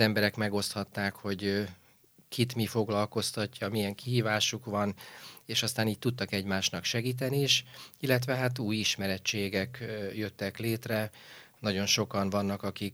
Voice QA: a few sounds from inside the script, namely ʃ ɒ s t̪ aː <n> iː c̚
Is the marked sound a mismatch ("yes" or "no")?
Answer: no